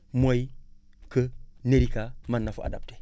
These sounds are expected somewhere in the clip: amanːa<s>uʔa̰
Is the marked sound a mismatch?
yes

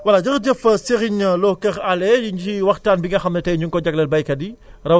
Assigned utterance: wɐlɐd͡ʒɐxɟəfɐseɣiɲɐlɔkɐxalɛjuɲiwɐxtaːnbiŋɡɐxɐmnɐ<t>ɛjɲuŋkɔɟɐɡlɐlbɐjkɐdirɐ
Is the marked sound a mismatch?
no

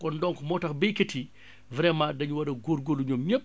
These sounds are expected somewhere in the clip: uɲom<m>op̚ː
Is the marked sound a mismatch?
yes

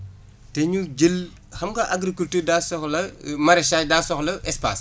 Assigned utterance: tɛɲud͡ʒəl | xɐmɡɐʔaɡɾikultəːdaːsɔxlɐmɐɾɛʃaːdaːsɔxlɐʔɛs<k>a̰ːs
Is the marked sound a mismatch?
yes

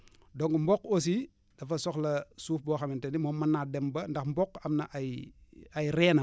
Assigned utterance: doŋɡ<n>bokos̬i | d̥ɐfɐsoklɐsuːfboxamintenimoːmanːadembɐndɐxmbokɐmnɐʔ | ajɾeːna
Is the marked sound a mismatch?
yes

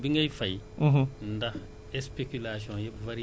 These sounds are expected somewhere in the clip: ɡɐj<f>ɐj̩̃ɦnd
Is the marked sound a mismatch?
no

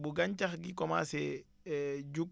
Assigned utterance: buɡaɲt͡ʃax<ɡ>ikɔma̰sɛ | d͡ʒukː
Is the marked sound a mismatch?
no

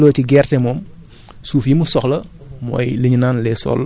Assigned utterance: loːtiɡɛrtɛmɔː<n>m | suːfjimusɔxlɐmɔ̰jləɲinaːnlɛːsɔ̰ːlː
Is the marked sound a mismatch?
yes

